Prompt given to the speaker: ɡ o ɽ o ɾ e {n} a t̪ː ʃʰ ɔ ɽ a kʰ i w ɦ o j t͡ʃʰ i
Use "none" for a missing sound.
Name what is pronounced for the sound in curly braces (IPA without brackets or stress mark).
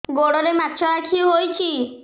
m